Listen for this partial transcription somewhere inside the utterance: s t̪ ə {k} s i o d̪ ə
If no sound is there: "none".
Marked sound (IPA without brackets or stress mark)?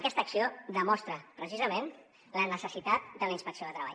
k